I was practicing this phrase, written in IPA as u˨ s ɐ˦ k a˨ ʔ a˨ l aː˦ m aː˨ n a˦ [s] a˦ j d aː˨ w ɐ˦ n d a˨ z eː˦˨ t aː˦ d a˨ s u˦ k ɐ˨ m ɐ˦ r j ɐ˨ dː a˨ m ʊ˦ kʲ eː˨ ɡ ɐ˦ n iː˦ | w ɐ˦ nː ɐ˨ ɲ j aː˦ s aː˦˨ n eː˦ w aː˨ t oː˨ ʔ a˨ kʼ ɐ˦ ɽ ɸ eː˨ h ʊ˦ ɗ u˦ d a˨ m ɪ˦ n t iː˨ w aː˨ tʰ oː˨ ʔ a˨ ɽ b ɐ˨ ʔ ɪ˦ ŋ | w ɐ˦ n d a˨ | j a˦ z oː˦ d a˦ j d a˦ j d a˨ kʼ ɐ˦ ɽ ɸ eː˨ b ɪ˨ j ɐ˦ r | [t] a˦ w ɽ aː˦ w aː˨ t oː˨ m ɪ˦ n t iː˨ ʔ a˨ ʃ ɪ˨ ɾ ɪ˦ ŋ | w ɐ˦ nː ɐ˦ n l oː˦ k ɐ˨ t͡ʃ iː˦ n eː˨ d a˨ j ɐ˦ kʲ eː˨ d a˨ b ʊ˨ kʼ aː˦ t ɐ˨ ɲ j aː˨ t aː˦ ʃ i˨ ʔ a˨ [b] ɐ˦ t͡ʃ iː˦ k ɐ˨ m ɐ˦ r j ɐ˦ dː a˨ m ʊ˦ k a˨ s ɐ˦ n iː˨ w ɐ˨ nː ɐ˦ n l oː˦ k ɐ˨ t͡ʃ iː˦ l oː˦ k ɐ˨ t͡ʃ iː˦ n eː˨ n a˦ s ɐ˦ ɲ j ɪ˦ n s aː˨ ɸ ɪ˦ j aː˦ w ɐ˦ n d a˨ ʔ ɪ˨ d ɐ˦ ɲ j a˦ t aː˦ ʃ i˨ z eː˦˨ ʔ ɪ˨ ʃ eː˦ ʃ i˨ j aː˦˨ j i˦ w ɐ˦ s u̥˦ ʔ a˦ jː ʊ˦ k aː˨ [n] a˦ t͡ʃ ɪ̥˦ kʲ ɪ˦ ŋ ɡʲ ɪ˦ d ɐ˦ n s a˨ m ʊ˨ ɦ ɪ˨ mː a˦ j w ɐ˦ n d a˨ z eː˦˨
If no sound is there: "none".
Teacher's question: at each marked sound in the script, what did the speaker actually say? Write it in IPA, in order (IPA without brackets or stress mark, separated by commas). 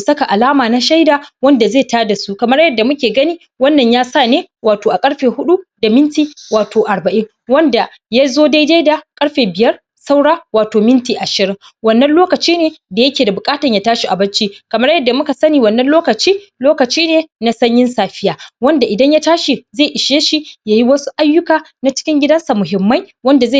ʃ, s, b, n